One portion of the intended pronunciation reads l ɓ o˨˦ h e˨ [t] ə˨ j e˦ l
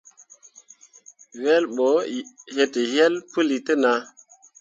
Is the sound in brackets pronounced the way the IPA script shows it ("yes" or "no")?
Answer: yes